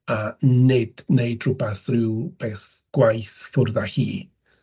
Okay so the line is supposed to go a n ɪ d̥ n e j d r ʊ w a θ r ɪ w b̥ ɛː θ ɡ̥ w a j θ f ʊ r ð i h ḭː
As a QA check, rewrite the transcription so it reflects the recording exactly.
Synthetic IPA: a n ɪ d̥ n e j d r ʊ b a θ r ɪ w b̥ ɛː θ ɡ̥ w a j θ f ʊ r ð a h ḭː